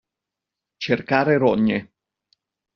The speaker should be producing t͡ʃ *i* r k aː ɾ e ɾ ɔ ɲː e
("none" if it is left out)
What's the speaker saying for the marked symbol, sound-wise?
e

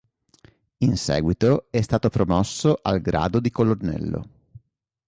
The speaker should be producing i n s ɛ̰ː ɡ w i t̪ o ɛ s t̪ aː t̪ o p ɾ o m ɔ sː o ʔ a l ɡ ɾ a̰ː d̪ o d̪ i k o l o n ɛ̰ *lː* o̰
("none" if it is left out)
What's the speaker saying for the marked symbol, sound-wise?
lː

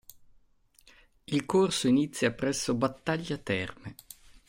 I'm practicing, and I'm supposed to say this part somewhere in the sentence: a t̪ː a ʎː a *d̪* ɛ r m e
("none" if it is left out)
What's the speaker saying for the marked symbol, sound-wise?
t̪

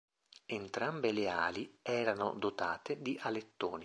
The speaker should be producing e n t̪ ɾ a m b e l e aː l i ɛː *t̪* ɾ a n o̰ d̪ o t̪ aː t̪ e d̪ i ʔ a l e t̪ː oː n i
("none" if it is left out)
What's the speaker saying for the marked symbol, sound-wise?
none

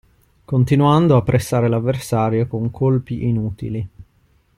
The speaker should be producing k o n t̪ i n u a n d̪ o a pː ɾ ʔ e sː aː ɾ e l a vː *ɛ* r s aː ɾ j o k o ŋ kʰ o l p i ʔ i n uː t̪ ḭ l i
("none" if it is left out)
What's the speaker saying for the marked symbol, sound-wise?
e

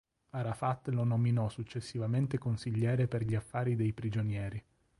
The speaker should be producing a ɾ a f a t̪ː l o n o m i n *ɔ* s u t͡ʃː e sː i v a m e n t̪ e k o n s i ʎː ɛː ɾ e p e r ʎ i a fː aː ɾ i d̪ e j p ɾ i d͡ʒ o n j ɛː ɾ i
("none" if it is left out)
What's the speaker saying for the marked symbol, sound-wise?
ɔ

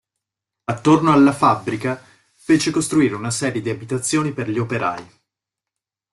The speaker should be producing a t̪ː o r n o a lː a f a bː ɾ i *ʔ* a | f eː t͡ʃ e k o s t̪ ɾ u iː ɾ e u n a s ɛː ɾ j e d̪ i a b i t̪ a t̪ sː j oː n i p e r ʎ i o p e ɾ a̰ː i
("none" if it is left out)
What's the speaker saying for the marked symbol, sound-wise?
k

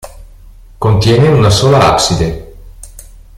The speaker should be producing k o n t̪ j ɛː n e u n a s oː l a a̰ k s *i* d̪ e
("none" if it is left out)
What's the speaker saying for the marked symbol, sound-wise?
i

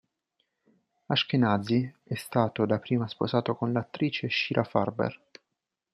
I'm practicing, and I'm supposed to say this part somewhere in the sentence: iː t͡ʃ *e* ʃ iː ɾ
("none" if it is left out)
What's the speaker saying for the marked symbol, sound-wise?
e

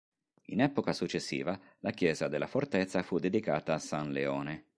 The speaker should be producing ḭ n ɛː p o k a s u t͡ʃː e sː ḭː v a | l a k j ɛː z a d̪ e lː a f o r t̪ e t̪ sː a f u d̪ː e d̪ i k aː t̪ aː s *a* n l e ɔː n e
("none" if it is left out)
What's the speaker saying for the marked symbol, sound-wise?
a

